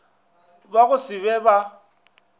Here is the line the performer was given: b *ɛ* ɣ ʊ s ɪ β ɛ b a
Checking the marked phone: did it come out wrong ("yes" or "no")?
yes